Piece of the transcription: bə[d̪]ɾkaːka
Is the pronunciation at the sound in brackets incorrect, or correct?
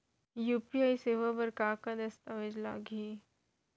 incorrect